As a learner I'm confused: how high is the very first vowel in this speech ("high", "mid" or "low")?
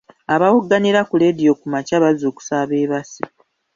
low